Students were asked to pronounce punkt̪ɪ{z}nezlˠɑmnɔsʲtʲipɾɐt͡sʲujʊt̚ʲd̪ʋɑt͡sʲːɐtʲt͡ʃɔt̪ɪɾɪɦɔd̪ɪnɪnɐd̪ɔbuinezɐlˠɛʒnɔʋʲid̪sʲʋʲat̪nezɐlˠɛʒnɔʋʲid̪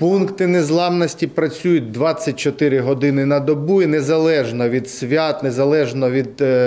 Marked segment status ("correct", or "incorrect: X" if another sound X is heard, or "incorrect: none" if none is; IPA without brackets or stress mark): incorrect: none